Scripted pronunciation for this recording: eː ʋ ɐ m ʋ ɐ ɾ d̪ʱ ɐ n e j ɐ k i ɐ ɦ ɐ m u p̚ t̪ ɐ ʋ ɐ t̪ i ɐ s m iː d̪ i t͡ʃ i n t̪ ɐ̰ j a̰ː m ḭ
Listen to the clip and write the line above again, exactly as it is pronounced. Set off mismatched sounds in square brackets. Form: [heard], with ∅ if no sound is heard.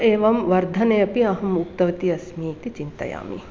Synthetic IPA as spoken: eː ʋ ɐ m ʋ ɐ ɾ d̪ʱ ɐ n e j ɐ [p] i ɐ ɦ ɐ m u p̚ t̪ ɐ ʋ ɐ t̪ i ɐ s m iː [t̪] i t͡ʃ i n t̪ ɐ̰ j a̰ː m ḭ